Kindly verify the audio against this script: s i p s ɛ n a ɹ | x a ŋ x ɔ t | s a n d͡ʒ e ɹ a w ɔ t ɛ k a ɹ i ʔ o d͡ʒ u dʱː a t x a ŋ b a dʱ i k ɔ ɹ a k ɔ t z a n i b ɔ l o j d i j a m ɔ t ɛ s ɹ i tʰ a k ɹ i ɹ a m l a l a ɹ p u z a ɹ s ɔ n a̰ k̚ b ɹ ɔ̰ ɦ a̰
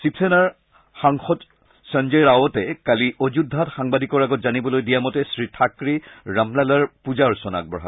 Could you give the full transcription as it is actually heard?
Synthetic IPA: s i p s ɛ n a ɹ | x a ŋ x ɔ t | s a n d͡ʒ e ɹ a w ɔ t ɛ k a l i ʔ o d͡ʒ u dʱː a t x a ŋ b a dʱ i k ɔ ɹ a ɡ ɔ t z a n i b ɔ l o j d i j a m ɔ t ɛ s ɹ i tʰ a k ɹ i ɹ a m l a l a ɹ p u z a ɹ s ɔ n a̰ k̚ b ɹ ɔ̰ ɦ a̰

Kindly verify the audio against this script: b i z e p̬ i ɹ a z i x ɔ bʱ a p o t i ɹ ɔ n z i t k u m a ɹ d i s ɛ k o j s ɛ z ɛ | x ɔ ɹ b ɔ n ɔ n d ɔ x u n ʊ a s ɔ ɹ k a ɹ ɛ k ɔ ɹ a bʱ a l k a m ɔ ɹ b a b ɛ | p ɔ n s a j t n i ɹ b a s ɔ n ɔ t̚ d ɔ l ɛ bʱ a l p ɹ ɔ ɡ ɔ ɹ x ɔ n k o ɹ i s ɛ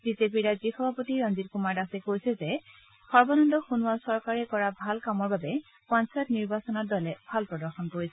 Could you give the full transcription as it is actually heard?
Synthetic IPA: b i z e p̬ i ɹ a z i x ɔ bʱ a p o t i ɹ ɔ n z i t k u m a ɹ d a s ɛ k o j s ɛ z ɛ | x ɔ ɹ b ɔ n ɔ n d ɔ x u n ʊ a s ɔ ɹ k a ɹ ɛ k ɔ ɹ a bʱ a l k a m ɔ ɹ b a b ɛ | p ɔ n s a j t n i ɹ b a s ɔ n ɔ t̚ d ɔ l ɛ bʱ a l p ɹ ɔ d ɔ ɹ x ɔ n k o ɹ i s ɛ

